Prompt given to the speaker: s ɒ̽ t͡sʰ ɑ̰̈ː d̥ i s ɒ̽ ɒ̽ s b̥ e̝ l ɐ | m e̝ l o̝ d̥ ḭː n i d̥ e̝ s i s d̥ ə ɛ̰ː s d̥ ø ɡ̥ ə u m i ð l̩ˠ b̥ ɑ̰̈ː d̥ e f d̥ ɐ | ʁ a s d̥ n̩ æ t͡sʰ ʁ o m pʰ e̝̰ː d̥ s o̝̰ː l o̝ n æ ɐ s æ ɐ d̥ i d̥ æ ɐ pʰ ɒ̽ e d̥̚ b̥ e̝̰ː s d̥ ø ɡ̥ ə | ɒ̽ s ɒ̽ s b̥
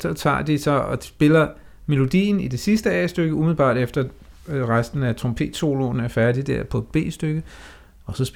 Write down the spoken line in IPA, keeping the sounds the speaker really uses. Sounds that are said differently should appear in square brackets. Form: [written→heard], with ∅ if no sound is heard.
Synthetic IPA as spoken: s ɒ̽ t͡sʰ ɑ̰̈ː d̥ i s ɒ̽ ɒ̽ s b̥ e̝ l ɐ | m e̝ l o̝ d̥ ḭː n i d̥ e̝ s i s d̥ ə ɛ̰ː s d̥ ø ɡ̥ ə u m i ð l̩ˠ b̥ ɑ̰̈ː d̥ e f d̥ ɐ | ʁ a s d̥ n̩ æ t͡sʰ ʁ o m pʰ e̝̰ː d̥ s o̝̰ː l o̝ n æ ɐ [s→f] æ ɐ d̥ i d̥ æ ɐ pʰ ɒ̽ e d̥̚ b̥ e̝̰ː s d̥ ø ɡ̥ ə | ɒ̽ s ɒ̽ s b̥